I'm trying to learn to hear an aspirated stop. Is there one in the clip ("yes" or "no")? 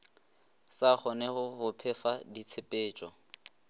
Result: yes